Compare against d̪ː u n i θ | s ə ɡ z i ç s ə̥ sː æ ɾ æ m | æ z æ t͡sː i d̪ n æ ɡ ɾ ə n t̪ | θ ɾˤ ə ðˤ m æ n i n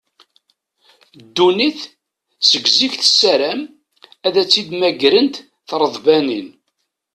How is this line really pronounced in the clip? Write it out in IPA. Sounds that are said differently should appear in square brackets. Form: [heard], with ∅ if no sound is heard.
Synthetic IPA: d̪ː u n i θ | s ə ɡ z i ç [θ] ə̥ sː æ ɾ æ m | æ [ð] æ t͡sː i d̪ [m] æ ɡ ɾ ə n t̪ | θ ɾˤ ə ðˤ [b] æ n i n